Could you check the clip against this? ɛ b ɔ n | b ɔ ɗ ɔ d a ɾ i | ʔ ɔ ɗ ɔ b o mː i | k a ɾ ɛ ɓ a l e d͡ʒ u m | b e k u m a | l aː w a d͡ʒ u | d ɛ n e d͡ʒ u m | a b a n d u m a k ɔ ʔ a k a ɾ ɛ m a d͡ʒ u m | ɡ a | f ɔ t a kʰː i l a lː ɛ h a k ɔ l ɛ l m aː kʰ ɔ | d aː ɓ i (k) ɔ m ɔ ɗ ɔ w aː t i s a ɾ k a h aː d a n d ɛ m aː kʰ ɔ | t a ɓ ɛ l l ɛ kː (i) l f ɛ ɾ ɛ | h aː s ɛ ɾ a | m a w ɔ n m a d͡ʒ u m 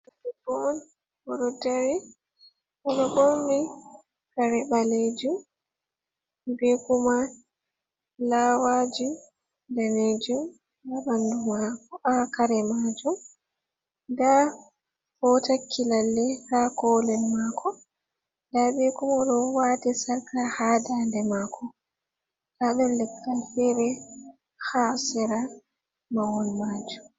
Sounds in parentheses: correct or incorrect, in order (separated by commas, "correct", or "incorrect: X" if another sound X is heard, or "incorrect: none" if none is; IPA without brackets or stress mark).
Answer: correct, incorrect: a